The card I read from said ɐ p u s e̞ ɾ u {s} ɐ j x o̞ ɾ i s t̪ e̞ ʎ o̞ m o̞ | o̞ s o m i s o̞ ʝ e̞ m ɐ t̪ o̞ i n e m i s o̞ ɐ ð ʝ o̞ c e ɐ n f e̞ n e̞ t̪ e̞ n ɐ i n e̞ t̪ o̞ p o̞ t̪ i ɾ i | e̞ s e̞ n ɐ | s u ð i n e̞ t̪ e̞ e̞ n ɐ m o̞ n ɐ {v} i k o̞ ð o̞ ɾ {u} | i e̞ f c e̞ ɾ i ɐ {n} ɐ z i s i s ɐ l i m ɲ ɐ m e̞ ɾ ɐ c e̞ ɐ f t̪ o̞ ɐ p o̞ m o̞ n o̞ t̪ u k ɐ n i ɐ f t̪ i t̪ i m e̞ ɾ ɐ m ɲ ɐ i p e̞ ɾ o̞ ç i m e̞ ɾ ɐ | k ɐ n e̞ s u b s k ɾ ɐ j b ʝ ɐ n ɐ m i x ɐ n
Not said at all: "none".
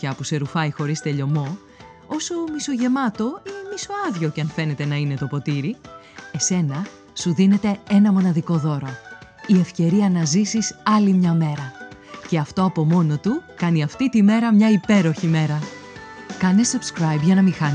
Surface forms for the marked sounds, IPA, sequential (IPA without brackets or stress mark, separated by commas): f, ð, o, n